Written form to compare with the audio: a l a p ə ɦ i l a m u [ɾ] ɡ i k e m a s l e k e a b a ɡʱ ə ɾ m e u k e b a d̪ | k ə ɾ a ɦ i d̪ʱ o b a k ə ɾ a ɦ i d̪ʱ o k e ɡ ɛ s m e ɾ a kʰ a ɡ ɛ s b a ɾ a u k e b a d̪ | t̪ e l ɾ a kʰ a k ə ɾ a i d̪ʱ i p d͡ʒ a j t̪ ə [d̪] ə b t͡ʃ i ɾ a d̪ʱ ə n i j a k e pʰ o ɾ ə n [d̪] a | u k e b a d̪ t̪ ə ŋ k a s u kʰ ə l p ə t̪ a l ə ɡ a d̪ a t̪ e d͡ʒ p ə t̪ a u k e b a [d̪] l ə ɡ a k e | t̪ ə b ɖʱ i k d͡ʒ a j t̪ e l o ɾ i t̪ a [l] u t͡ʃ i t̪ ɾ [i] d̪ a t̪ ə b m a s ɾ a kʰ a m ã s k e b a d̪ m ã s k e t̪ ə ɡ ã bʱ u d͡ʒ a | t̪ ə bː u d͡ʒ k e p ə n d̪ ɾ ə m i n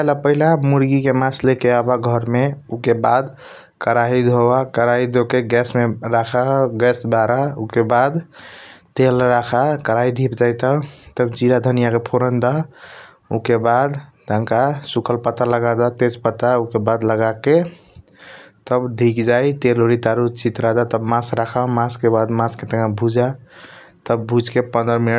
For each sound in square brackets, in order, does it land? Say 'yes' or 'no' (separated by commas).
yes, no, yes, yes, no, no